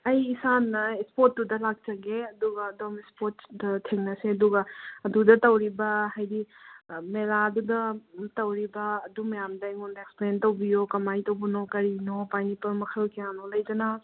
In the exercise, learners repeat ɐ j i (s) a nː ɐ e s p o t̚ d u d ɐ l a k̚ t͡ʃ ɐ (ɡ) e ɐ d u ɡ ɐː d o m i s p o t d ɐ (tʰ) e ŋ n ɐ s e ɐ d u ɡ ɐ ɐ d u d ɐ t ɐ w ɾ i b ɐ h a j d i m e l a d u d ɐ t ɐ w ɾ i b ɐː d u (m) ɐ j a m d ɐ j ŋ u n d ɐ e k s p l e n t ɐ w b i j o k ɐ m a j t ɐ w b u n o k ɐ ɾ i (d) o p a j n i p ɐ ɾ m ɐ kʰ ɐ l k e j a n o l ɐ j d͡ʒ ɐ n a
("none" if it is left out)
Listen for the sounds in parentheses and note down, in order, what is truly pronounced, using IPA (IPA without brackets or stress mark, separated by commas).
s, ɡ, tʰ, m, n